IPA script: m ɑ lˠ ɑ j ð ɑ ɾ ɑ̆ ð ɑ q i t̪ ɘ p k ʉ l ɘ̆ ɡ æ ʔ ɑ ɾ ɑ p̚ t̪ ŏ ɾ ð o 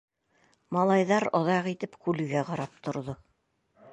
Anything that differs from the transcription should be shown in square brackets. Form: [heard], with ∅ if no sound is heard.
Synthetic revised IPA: m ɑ lˠ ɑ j ð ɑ ɾ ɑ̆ ð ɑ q i t̪ ɘ p k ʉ l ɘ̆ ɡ æ [q] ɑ ɾ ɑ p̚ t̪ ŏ ɾ ð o